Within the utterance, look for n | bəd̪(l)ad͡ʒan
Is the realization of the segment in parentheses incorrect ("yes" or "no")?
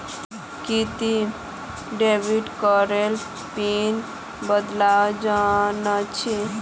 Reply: no